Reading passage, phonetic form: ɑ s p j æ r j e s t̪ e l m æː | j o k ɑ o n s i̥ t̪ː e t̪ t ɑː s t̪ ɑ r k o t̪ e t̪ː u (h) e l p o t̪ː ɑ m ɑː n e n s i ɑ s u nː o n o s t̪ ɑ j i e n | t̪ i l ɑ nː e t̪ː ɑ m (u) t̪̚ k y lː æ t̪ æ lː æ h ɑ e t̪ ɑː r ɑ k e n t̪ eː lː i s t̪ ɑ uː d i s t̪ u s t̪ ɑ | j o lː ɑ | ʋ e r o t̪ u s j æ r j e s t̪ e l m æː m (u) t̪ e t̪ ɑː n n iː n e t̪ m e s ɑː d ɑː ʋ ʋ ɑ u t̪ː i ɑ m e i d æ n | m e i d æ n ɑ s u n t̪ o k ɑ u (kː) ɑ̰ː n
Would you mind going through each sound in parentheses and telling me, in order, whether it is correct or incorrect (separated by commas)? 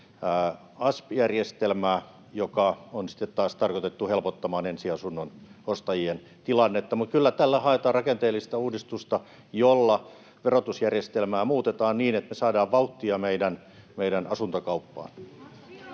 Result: correct, correct, incorrect, incorrect